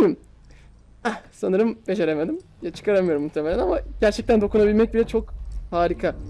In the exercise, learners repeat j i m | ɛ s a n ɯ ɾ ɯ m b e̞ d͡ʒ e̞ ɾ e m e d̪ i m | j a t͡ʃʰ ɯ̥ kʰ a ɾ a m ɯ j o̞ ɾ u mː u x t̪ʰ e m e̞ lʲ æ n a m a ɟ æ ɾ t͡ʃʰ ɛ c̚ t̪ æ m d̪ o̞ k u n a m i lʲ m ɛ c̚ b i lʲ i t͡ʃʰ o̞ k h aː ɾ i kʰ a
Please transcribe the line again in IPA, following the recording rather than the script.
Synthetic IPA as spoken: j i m | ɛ s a n ɯ ɾ ɯ m b e̞ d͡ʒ e̞ ɾ e m e d̪ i m | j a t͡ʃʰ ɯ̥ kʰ a ɾ a m ɯ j o̞ ɾ u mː u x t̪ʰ e m e̞ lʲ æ n a m a ɟ æ ɾ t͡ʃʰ ɛ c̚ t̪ æ n d̪ o̞ k u n a b i lʲ m ɛ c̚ b i lʲ ɛ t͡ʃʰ o̞ k h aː ɾ i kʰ a